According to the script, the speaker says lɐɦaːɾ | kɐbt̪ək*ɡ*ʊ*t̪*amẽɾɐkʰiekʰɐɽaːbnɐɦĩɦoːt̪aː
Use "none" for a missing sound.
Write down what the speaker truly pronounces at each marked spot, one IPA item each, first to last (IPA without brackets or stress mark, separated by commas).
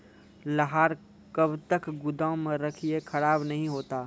ɡ, d̪